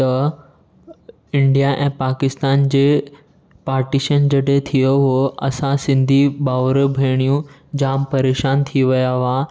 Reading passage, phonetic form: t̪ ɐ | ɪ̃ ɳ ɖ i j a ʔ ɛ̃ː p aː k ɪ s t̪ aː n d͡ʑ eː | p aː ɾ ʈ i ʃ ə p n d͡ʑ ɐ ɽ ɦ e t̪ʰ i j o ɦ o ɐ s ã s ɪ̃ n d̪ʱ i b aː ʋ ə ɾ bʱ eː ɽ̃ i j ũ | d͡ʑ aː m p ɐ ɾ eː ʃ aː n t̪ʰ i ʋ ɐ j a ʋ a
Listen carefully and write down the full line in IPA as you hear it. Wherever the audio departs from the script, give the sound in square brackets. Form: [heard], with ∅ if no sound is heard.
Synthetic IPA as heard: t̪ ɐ | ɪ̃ ɳ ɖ i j a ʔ ɛ̃ː p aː k ɪ s t̪ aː n d͡ʑ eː | p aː ɾ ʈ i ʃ ə [∅] n d͡ʑ ɐ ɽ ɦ e t̪ʰ i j o ɦ o ɐ s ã s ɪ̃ n d̪ʱ i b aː ʋ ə ɾ bʱ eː ɽ̃ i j ũ | d͡ʑ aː m p ɐ ɾ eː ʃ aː n t̪ʰ i ʋ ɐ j a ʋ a